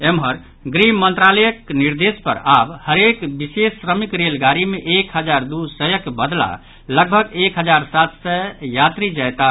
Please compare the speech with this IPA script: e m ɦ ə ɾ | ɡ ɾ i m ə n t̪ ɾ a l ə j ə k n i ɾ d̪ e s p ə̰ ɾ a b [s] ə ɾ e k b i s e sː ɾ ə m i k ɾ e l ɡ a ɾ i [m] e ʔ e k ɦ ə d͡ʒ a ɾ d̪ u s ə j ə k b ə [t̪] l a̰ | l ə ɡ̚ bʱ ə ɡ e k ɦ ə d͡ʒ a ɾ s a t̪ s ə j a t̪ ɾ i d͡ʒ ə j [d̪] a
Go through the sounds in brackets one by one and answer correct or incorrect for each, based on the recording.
incorrect: h, correct, incorrect: d̪, incorrect: t̪

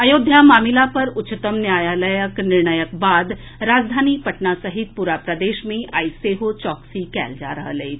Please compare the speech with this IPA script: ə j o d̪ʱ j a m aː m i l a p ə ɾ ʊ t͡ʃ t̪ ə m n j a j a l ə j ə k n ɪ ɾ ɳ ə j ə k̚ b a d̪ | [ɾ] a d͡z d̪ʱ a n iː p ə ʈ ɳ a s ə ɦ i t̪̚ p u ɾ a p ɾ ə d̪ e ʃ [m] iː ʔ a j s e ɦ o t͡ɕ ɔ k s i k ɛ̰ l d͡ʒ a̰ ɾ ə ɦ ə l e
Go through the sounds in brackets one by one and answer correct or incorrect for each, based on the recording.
correct, correct

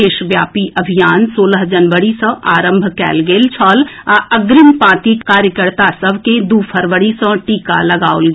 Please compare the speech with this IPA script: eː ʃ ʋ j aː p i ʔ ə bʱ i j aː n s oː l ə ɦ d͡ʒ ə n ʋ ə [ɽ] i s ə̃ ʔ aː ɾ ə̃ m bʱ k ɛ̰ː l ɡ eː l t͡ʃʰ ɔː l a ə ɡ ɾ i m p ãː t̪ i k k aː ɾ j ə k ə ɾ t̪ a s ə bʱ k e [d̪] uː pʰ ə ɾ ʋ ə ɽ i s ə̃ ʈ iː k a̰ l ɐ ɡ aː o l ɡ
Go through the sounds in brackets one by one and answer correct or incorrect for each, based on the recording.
correct, correct

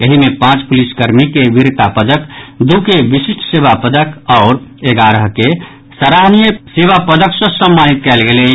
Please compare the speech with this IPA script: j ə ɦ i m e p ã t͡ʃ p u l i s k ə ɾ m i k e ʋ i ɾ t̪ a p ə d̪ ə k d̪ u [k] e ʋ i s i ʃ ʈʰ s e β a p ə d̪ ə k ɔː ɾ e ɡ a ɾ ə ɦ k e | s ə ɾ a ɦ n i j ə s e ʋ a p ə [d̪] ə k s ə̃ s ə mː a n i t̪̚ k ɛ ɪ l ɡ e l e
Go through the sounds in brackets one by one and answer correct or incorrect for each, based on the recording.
correct, correct

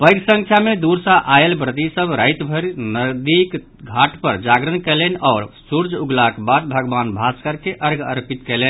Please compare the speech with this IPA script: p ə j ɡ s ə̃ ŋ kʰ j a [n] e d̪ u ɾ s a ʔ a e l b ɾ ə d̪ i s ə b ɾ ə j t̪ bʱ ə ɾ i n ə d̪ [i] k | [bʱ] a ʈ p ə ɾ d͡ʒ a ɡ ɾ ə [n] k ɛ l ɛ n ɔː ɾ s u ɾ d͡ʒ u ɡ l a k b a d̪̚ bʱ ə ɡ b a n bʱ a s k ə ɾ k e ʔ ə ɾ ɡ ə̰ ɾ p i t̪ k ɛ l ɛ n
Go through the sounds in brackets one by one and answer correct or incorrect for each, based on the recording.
incorrect: m, correct, incorrect: ɡʱ, correct

